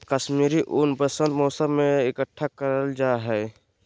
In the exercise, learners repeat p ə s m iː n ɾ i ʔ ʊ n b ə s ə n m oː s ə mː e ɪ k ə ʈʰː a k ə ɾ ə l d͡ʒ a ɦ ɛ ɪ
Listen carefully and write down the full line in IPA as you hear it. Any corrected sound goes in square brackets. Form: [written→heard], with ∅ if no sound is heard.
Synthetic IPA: [p→k] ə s m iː [n→∅] ɾ i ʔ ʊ n b ə s ə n m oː s ə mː e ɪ k ə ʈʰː a k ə ɾ ə l d͡ʒ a ɦ ɛ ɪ